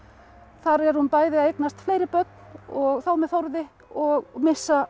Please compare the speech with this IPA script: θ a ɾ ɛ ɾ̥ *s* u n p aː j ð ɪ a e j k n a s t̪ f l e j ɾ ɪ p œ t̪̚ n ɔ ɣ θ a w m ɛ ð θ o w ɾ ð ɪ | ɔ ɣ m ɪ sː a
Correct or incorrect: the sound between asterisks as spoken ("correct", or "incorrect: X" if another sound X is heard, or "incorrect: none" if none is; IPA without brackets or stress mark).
incorrect: h